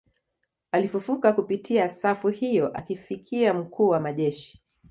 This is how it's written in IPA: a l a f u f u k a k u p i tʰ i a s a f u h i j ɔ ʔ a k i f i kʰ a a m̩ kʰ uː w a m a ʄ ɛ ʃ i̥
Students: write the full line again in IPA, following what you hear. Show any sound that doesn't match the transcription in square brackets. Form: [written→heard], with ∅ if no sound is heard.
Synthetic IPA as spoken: a l [a→i] f u f u k a k u p i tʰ i a s a f u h i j ɔ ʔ a k i f i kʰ [a→i] a m̩ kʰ uː w a m a ʄ ɛ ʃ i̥